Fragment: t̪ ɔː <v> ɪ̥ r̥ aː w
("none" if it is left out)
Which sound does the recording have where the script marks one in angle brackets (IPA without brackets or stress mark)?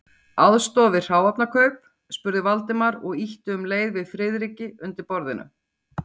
v